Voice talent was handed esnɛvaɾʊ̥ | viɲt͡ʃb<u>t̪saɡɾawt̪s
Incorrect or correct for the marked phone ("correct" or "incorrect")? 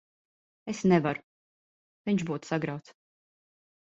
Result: incorrect